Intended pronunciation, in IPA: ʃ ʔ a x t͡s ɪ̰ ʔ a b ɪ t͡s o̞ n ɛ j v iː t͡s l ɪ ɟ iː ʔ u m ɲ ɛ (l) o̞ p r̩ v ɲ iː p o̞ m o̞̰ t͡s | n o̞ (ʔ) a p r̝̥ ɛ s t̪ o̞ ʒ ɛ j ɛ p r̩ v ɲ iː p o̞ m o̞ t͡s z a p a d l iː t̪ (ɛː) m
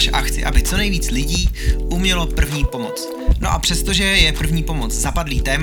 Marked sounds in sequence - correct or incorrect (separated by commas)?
correct, correct, correct